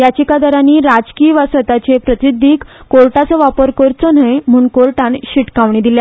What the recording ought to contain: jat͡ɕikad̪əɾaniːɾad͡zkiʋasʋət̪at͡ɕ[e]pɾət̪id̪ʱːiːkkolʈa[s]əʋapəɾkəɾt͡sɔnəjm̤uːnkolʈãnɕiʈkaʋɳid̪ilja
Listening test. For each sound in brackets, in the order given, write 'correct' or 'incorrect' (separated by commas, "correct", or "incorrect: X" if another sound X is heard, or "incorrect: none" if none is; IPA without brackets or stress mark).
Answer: correct, incorrect: t͡s